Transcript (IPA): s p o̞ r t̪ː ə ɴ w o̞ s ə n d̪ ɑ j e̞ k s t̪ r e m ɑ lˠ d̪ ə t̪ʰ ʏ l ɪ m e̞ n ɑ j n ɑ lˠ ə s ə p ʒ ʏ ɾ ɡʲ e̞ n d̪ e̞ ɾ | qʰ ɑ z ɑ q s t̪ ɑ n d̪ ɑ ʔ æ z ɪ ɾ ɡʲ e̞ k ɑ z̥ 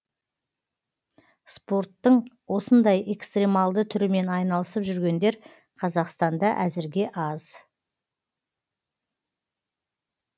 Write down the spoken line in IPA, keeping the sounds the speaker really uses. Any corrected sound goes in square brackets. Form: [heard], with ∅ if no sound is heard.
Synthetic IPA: s p o̞ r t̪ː ə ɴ w o̞ s ə n d̪ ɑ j e̞ k s t̪ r e m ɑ lˠ d̪ ə t̪ʰ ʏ [ɾ] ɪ m e̞ n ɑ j n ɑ lˠ ə s ə p ʒ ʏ ɾ ɡʲ e̞ n d̪ e̞ ɾ | qʰ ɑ z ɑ q s t̪ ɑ n d̪ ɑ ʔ æ z ɪ ɾ ɡʲ e̞ [ʔ] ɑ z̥